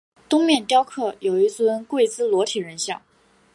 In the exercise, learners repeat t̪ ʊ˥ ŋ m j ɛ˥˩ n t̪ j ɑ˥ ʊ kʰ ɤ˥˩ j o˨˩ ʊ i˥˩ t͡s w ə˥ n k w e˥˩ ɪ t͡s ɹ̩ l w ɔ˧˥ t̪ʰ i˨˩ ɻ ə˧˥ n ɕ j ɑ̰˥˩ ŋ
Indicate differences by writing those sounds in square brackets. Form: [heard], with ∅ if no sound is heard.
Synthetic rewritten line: t̪ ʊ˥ ŋ m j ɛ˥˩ n t̪ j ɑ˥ ʊ kʰ ɤ˥˩ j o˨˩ ʊ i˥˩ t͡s w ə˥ n k w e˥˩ ɪ t͡s ɹ̩ l w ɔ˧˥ t̪ʰ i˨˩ ɻ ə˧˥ n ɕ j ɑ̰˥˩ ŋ